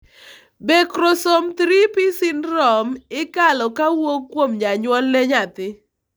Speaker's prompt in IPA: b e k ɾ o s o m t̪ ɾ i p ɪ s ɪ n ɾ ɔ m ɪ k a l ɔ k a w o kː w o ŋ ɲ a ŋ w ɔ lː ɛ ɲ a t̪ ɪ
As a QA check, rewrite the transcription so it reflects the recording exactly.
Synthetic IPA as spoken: b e k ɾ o s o m t̪ ɾ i p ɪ s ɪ n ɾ ɔ m ɪ k a l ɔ k a w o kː w o m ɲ a ɲ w ɔ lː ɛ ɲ a t̪ ɪ